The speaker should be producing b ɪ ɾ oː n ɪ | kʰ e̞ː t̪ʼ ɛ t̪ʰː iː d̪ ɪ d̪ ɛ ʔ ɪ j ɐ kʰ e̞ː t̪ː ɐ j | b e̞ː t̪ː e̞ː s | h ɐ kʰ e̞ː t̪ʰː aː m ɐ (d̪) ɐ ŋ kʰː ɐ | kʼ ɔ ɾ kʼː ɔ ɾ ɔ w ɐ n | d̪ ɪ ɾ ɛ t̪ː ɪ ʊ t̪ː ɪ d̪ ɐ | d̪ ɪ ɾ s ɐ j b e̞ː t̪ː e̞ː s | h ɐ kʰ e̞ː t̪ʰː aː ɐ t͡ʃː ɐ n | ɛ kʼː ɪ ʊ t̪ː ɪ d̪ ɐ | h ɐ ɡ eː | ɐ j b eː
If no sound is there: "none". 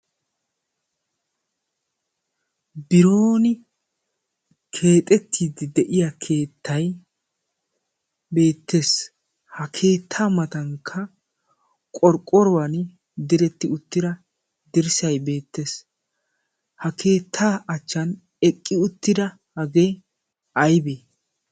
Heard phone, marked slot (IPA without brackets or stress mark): t̪